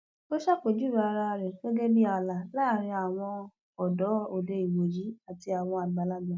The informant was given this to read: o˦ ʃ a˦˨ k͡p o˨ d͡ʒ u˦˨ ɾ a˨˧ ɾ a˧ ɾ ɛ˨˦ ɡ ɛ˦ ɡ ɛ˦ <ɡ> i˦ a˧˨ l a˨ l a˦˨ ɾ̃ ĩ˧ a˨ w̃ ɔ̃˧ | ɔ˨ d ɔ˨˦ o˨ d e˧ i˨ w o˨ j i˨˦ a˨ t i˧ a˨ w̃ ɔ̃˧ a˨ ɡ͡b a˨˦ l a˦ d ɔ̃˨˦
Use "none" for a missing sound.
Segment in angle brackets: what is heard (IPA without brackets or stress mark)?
b